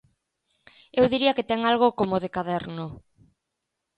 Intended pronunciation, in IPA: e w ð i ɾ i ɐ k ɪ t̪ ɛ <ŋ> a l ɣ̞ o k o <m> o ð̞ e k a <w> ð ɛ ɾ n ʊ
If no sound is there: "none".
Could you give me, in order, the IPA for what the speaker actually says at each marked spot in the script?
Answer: ŋ, m, none

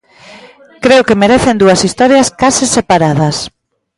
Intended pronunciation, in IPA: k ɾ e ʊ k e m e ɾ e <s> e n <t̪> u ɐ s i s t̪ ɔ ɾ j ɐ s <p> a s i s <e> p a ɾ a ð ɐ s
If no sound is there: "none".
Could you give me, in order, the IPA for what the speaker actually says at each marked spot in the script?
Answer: θ, d̪, k, e

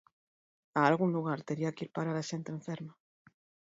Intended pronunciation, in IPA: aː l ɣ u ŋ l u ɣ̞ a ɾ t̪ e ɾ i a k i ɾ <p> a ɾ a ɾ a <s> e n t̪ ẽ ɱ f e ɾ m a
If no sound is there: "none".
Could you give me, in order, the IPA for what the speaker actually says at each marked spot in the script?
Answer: p, ʃ

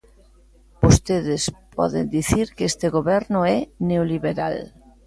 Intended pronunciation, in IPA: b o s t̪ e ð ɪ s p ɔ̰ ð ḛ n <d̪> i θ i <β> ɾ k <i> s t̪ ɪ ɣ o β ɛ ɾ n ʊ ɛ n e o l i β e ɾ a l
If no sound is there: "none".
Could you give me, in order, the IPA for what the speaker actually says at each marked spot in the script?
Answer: d̪, none, e

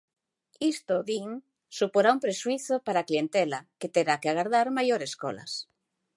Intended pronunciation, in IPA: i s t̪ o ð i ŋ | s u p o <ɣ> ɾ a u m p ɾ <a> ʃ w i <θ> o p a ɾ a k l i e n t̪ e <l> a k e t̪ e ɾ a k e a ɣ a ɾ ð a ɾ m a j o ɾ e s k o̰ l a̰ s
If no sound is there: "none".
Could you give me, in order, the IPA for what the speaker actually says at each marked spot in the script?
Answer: none, e, θ, l

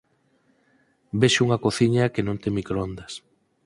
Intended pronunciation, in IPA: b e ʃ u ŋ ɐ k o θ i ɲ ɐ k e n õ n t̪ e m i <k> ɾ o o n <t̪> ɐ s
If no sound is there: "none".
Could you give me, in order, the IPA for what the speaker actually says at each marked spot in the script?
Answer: k, d̪

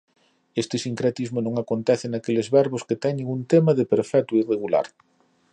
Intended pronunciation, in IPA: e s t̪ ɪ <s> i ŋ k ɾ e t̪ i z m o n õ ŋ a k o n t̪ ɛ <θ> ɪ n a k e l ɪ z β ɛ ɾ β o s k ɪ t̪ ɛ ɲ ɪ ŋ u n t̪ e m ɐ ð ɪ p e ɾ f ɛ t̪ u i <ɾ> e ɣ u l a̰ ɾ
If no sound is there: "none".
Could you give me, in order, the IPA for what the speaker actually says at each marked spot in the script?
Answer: s, θ, r

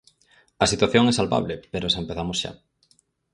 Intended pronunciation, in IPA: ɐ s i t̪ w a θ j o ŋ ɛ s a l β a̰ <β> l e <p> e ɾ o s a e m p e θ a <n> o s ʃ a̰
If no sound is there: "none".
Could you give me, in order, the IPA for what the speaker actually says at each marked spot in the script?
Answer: β, p, m

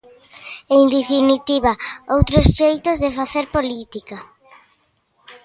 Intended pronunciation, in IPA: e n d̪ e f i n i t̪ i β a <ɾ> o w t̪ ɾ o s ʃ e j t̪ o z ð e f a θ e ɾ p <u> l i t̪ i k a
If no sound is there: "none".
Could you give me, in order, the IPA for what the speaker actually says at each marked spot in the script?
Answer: none, o

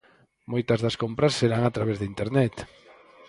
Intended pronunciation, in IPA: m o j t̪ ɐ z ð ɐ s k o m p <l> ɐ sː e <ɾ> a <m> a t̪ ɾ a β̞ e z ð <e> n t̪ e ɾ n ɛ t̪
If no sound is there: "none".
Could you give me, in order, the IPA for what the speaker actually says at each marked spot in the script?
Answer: ɾ, ɾ, ŋ, i

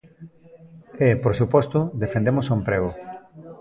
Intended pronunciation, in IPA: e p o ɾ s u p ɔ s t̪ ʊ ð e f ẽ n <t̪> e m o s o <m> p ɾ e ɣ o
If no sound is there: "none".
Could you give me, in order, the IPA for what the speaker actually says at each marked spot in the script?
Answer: d̪, m

